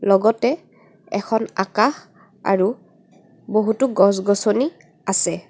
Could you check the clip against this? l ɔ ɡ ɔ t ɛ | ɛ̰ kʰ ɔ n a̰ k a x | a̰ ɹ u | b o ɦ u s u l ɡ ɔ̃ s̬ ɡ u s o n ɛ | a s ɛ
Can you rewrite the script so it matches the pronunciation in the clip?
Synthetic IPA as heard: l ɔ ɡ ɔ t ɛ | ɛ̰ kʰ ɔ n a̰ k a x | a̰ ɹ u | b o ɦ u t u ɡ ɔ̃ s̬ ɡ ɔ s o n i | a s ɛ